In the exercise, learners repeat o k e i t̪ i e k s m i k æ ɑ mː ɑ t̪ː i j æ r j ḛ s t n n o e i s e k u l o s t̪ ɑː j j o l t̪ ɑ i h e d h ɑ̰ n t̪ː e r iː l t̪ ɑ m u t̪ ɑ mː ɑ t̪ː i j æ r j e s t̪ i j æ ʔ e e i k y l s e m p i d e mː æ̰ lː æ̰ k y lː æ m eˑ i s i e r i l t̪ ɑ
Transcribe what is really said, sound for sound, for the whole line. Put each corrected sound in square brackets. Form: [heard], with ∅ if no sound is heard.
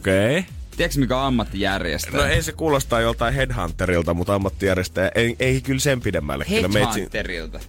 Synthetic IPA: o k e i t̪ i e k s m i k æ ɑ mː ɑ t̪ː i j æ r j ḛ s t n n o e i s e k [uː] l o s t̪ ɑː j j o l t̪ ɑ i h e d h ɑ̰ n t̪ː e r [i] l t̪ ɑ m u t̪ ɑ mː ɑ t̪ː i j æ r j e s t̪ [æ] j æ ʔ e e i k y l s e m p i d e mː æ̰ lː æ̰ k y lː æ m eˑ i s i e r i l t̪ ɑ